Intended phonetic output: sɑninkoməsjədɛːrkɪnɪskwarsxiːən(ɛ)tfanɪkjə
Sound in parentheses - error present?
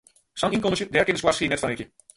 no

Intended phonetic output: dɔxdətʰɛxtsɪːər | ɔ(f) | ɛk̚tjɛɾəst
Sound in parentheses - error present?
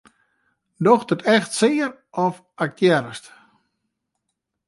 no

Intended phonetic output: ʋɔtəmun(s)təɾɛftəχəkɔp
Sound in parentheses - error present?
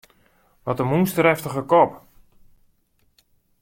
no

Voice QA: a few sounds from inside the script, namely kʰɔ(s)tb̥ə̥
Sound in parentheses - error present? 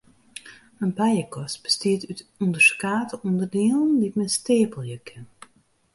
no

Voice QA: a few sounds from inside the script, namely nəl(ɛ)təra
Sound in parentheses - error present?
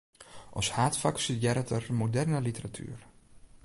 yes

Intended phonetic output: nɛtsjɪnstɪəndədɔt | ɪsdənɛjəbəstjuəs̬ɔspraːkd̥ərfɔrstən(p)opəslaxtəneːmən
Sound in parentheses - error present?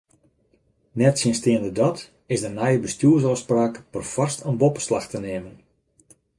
yes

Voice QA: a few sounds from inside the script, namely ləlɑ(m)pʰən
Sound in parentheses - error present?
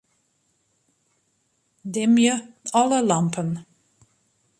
no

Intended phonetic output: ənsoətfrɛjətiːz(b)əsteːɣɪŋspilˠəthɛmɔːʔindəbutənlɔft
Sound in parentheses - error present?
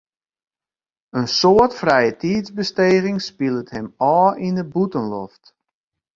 no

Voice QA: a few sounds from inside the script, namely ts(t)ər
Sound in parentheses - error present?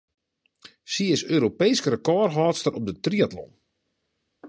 no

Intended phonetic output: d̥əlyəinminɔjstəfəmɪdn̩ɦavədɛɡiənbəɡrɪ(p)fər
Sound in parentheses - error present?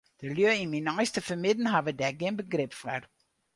no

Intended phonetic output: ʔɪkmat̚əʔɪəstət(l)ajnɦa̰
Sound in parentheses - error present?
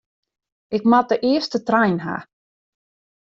yes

